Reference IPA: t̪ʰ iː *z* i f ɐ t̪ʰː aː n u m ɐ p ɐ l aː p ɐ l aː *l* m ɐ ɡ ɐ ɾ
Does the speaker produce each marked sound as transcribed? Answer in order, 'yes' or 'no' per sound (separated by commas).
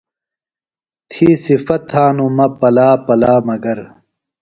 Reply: no, no